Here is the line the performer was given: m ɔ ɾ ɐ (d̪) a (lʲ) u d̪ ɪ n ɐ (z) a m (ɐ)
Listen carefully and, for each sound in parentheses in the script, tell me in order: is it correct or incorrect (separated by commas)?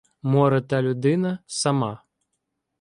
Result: incorrect, correct, incorrect, incorrect